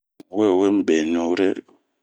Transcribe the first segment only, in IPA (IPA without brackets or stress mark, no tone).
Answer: w